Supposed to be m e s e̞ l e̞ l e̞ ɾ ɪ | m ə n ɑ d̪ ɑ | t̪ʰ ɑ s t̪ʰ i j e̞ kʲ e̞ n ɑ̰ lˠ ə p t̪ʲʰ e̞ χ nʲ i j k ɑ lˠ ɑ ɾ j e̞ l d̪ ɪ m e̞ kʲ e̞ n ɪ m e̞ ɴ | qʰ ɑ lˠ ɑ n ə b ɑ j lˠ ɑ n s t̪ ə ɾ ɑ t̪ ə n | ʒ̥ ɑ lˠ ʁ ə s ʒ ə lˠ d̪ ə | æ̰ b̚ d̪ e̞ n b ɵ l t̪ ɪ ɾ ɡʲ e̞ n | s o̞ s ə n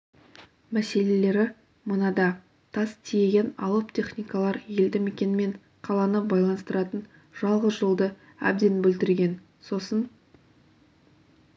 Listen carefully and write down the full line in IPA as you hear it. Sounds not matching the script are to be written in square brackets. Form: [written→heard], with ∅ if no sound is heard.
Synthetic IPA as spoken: m [e→æ] s e̞ l e̞ l e̞ ɾ ɪ | m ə n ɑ d̪ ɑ | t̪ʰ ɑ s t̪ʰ i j e̞ [kʲ→ɡʲ] e̞ n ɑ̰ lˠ ə p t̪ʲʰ e̞ χ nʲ i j k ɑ lˠ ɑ ɾ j e̞ l d̪ ɪ m e̞ kʲ e̞ n ɪ m e̞ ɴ | qʰ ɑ lˠ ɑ n ə b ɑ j lˠ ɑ n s t̪ ə ɾ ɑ t̪ ə n | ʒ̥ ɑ lˠ ʁ ə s ʒ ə lˠ d̪ ə | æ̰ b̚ d̪ e̞ n b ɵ l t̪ ɪ ɾ ɡʲ e̞ n | s o̞ s ə n